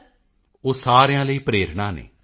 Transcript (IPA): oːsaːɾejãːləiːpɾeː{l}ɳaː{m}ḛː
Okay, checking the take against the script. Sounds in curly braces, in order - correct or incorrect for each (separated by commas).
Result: incorrect, incorrect